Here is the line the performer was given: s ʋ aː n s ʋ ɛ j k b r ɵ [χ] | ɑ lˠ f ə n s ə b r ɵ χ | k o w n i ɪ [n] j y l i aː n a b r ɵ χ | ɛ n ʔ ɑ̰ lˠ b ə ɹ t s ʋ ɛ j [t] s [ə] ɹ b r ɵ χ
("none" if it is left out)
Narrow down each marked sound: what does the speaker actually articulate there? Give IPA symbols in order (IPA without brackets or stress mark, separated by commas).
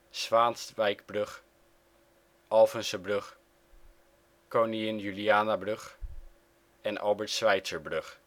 χ, n, t, ə